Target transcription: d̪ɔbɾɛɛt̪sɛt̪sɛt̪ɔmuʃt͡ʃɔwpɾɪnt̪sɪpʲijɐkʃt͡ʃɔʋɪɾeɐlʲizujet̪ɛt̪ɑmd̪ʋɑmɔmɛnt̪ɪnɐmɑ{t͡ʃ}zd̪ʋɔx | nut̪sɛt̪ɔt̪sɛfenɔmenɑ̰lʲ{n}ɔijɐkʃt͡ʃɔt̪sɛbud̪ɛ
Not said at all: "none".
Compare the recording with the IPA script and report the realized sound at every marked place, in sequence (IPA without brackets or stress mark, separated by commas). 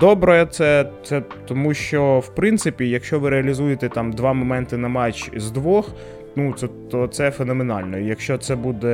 t͡ʃ, n